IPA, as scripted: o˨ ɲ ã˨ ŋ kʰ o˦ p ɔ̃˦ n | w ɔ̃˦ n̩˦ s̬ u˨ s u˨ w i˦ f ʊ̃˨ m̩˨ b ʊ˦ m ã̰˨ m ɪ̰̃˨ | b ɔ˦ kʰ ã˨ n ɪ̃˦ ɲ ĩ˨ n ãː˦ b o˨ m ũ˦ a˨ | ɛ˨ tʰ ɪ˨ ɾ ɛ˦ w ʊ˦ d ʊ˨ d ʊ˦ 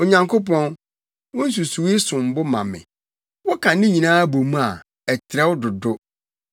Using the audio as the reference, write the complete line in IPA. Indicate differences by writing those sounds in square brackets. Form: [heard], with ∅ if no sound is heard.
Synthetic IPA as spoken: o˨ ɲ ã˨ ŋ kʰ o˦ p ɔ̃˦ n | w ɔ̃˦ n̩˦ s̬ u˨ s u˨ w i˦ [s] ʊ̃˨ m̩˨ b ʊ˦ m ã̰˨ m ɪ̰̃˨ | [w] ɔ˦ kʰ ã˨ n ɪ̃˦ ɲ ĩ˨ n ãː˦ b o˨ m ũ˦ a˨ | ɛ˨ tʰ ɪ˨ ɾ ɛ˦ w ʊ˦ d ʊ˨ d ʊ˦